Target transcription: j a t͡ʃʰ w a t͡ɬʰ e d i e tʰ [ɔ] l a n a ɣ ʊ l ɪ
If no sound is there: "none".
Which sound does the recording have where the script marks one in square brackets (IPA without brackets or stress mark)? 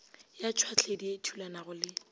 u